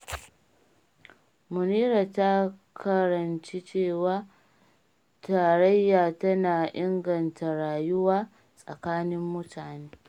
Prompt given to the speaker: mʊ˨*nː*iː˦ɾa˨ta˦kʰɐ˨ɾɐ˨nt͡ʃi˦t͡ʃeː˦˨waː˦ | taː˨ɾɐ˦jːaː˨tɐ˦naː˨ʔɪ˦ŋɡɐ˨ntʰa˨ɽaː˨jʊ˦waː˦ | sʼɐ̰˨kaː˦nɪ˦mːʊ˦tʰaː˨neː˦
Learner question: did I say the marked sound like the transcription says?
no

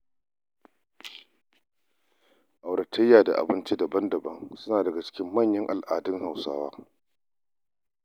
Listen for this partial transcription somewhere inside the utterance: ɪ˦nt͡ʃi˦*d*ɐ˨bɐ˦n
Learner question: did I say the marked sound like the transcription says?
yes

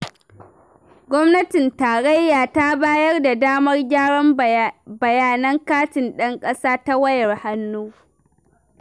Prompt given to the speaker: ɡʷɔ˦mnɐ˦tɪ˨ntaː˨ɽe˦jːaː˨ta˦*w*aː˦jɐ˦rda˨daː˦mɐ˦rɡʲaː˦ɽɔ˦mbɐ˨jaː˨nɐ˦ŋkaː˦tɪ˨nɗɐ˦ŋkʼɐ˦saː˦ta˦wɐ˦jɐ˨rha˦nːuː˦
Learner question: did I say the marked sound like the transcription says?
no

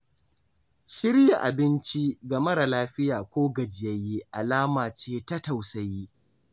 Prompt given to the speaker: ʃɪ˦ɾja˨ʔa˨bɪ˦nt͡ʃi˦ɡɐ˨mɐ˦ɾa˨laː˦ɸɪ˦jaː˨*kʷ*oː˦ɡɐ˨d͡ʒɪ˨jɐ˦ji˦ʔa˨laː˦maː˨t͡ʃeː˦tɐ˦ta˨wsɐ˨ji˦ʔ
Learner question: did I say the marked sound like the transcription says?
yes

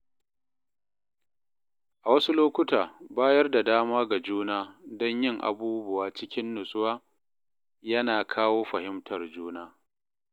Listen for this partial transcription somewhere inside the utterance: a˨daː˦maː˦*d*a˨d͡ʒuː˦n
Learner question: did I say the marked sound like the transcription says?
no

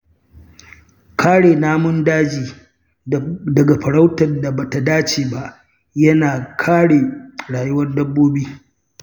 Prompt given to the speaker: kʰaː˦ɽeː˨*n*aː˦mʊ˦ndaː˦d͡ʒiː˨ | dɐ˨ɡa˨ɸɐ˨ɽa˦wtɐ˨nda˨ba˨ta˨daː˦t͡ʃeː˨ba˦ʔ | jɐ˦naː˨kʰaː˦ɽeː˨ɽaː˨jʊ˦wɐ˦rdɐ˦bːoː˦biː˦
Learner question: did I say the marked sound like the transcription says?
yes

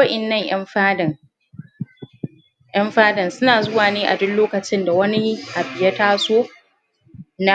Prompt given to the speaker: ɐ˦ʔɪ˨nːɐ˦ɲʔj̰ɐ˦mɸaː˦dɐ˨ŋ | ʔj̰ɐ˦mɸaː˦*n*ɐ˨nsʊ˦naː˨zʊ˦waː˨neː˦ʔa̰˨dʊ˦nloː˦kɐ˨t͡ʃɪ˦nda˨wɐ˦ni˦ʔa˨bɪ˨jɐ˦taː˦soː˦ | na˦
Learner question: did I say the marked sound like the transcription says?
no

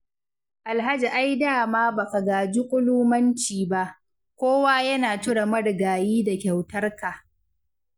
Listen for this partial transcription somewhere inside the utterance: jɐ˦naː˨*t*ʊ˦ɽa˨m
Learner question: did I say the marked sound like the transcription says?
yes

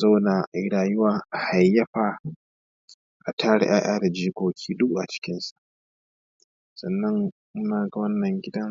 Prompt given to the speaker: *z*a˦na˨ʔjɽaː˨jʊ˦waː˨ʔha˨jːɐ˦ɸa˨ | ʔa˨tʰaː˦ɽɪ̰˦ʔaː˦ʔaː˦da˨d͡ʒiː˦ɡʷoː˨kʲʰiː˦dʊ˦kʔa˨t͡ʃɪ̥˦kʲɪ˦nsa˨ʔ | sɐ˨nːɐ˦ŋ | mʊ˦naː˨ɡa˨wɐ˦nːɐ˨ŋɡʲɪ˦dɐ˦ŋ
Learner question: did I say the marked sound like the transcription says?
yes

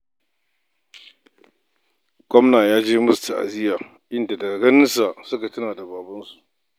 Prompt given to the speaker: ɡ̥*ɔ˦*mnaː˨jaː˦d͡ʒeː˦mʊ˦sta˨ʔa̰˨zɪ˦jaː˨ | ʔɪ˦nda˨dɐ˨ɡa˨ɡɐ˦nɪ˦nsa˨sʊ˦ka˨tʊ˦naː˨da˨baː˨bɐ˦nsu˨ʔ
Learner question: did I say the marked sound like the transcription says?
yes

